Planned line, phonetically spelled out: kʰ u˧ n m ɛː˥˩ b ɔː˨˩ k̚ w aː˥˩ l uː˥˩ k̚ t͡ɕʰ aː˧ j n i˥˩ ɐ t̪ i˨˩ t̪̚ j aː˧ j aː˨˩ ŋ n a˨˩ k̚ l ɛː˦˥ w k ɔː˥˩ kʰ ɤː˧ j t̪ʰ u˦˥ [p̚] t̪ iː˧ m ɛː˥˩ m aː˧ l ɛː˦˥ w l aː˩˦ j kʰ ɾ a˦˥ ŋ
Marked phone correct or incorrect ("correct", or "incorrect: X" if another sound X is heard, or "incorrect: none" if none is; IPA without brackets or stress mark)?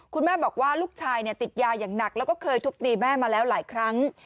incorrect: k̚